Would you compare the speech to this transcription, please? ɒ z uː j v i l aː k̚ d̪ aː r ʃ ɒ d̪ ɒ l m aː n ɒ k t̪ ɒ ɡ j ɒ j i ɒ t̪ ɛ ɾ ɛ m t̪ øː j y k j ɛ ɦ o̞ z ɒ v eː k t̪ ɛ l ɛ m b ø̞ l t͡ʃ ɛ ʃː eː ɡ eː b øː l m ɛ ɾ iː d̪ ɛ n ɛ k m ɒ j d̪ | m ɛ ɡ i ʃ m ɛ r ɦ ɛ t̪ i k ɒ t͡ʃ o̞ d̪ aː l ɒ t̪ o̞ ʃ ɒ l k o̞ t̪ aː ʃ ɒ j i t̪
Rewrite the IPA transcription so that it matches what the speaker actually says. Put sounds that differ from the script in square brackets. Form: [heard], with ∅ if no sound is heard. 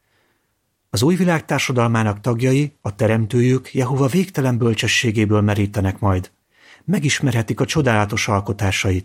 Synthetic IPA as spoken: ɒ z uː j v i l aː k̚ [t̪] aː r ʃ ɒ d̪ ɒ l m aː n ɒ k t̪ ɒ ɡ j ɒ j i ɒ t̪ ɛ ɾ ɛ m t̪ øː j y k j ɛ ɦ o̞ [v] ɒ v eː k t̪ ɛ l ɛ m b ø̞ l t͡ʃ ɛ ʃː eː ɡ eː b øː l m ɛ ɾ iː [t̪] ɛ n ɛ k m ɒ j d̪ | m ɛ ɡ i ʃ m ɛ r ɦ ɛ t̪ i k ɒ t͡ʃ o̞ d̪ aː l ɒ t̪ o̞ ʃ ɒ l k o̞ t̪ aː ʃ ɒ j i t̪